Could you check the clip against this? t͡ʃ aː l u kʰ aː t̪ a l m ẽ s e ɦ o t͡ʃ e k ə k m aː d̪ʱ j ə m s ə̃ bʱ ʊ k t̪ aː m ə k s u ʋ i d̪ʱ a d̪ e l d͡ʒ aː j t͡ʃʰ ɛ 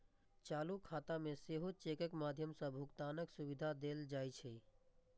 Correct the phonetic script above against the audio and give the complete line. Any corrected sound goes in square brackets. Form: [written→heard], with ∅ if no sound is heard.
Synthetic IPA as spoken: t͡ʃ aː l u kʰ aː t̪ a [l→∅] m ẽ s e ɦ o t͡ʃ e k ə k m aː d̪ʱ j ə m s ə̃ bʱ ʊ k t̪ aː [m→n] ə k s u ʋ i d̪ʱ a d̪ e l d͡ʒ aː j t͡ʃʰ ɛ